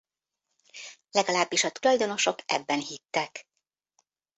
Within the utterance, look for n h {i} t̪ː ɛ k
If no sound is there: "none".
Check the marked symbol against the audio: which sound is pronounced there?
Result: i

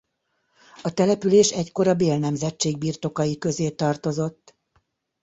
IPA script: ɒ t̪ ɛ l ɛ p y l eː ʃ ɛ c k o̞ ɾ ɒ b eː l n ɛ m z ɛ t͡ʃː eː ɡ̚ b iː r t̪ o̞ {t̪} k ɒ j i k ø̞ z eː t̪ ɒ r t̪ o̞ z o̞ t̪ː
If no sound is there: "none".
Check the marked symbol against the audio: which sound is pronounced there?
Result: none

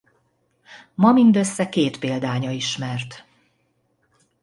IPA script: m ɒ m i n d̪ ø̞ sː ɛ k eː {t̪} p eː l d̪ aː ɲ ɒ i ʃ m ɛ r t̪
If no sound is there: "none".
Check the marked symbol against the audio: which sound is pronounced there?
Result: t̪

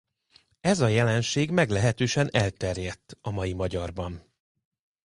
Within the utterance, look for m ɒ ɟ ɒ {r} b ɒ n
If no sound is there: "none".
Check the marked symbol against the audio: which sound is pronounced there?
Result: r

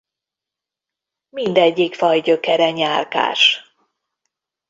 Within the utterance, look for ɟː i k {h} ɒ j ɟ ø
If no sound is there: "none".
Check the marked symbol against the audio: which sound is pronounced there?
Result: f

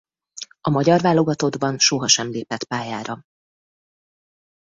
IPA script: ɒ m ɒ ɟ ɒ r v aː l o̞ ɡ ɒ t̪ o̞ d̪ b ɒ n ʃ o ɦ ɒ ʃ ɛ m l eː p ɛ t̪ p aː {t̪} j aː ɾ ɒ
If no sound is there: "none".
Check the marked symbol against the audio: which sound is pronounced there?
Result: none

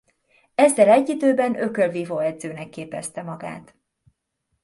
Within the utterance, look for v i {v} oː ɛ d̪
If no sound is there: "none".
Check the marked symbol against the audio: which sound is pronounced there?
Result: v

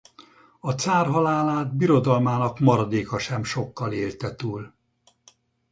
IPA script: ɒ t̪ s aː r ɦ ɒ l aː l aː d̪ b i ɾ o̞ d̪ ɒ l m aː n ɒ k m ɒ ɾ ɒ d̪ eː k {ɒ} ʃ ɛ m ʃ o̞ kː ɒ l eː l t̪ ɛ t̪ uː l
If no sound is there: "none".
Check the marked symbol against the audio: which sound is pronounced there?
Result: ɒ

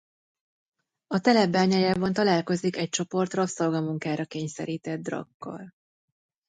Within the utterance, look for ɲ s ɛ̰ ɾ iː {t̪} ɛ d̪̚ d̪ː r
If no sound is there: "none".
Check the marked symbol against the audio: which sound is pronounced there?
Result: t̪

